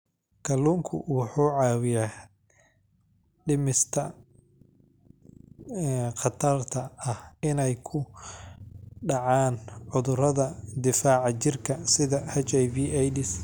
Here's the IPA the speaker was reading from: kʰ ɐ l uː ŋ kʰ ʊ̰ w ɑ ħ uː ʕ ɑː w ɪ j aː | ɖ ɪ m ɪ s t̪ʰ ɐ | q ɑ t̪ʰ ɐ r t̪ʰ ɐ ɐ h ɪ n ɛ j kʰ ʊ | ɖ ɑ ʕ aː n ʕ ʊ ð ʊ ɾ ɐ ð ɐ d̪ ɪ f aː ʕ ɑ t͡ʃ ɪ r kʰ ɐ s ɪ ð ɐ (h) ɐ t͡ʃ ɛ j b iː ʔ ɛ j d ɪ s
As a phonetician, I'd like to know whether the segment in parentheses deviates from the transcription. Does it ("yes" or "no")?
no